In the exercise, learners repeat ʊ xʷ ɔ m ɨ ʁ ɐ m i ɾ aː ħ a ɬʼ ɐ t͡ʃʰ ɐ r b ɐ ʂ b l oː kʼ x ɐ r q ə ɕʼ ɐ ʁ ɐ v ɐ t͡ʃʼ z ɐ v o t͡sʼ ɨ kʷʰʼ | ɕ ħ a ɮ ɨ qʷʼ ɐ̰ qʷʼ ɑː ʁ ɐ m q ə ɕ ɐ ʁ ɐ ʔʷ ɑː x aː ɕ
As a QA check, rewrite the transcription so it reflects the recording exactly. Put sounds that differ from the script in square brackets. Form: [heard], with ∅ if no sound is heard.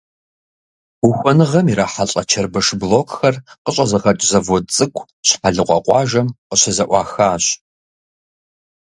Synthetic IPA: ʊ xʷ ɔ [n] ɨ ʁ ɐ m i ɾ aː ħ a ɬʼ ɐ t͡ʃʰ ɐ r b ɐ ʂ b l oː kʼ x ɐ r q ə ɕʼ ɐ [z] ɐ [ʁ] ɐ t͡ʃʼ z ɐ v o t͡sʼ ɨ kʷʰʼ | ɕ ħ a ɮ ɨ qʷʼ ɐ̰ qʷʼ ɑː [ʒ] ɐ m q ə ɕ ɐ [z] ɐ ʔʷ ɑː x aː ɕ

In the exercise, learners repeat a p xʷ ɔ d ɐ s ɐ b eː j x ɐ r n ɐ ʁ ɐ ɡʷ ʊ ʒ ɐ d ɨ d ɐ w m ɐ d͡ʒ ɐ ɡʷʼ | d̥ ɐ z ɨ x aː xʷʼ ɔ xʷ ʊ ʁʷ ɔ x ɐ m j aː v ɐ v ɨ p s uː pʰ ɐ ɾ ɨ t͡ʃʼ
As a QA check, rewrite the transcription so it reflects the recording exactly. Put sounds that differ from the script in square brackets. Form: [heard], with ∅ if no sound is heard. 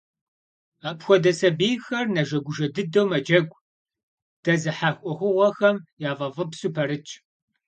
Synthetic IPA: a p xʷ ɔ d ɐ s ɐ b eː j x ɐ r n ɐ [ʒ] ɐ ɡʷ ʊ ʒ ɐ d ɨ d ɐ w m ɐ d͡ʒ ɐ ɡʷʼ | d̥ ɐ z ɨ [ħ] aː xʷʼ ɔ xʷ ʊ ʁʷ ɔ x ɐ m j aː v ɐ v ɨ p s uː pʰ ɐ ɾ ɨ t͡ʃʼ

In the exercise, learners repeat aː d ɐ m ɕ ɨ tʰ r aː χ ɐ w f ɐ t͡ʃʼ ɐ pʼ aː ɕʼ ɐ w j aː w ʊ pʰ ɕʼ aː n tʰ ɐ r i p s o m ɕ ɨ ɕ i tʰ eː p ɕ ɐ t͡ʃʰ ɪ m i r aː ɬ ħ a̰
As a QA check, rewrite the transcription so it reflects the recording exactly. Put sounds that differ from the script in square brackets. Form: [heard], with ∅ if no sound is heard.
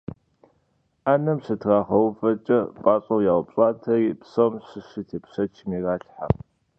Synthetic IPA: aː [n] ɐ m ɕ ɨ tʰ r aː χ ɐ w f ɐ t͡ʃʼ ɐ pʼ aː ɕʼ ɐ w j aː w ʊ [p] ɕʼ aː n tʰ ɐ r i p s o m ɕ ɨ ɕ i tʰ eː p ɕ ɐ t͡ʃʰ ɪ m i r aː ɬ ħ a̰

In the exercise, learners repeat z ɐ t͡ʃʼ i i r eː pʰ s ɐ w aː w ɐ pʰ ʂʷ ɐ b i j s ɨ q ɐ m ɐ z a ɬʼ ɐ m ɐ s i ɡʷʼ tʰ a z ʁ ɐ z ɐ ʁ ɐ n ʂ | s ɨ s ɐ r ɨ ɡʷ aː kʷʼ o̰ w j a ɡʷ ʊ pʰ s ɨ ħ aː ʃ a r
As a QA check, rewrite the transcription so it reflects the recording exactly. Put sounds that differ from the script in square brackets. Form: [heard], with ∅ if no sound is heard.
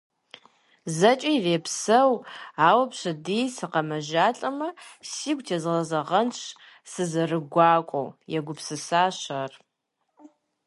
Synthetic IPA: z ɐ t͡ʃʼ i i r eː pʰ s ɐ w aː w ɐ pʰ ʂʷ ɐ [d] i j s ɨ q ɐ m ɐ [ʒ] a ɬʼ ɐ m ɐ s i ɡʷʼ tʰ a z ʁ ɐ z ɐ ʁ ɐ n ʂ | s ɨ [z] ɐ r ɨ ɡʷ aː kʷʼ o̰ w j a ɡʷ ʊ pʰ s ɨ [s] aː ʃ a r

